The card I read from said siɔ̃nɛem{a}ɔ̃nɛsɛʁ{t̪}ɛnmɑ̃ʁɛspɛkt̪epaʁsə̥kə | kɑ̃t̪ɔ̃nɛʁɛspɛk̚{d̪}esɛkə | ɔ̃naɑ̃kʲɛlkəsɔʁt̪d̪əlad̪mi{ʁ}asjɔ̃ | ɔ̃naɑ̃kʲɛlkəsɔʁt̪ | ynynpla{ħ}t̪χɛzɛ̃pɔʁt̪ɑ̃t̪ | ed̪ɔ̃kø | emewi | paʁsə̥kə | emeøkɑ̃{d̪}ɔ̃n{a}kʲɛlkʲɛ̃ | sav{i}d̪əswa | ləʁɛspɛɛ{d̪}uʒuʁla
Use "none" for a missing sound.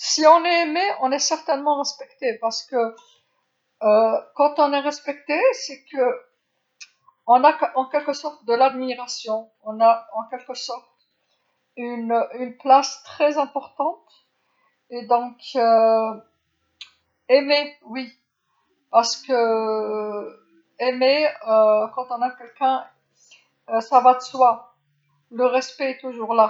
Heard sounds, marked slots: e, t̪, t̪, ʁ, s, t̪, a, a, t̪

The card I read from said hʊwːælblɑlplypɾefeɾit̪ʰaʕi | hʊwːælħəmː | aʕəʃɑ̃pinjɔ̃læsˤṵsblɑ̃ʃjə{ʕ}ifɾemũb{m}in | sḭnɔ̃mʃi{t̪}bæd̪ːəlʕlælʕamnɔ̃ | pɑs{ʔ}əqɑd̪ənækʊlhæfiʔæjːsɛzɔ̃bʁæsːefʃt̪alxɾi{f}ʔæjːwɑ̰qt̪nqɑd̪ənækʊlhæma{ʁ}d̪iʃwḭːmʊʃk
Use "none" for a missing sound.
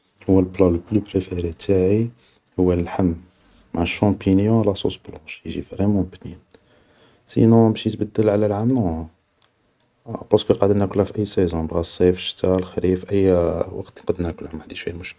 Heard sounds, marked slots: ʒ, n, t̪, k, f, ʕ

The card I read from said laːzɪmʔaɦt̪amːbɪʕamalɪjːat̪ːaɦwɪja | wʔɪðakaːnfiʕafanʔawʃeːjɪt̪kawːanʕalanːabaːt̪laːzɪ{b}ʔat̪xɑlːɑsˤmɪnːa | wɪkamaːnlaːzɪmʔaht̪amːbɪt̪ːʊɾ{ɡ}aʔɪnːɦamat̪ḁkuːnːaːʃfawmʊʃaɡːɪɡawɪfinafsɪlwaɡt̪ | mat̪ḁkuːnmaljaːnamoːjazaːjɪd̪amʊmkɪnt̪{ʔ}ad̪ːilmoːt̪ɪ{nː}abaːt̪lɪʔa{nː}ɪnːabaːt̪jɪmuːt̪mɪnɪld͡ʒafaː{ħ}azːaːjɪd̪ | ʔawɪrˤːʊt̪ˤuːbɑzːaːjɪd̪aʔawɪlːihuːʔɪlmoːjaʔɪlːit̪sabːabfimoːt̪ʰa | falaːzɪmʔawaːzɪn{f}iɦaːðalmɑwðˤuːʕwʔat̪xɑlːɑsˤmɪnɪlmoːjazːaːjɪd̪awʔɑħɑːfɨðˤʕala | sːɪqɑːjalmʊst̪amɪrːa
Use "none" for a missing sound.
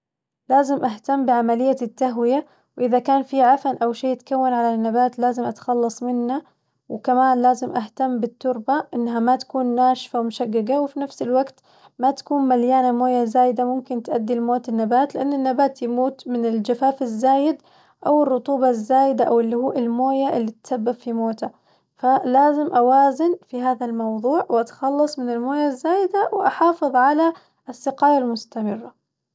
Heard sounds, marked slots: m, b, ʔ, nː, nː, f, f

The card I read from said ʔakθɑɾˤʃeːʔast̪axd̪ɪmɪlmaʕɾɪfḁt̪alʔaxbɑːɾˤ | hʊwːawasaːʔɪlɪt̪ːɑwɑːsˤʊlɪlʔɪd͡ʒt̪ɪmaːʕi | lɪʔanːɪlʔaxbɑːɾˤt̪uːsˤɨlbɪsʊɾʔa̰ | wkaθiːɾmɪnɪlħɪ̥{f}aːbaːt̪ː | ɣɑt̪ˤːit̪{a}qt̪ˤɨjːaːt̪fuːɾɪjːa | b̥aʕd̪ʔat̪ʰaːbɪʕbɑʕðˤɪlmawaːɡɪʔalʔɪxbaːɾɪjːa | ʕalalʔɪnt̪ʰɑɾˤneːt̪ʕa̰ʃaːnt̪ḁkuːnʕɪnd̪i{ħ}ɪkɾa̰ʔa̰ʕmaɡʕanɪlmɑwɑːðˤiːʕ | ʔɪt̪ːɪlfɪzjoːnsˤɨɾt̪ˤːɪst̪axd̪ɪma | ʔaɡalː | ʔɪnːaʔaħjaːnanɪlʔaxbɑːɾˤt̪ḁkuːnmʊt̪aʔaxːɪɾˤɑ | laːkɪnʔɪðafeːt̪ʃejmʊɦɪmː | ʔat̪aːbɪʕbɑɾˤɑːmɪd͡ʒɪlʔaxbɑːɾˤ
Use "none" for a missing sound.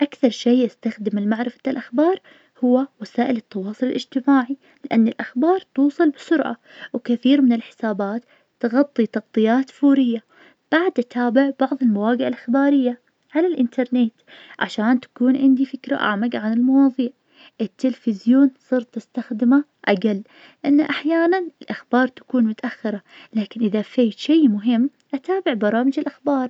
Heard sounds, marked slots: s, ɑ, f

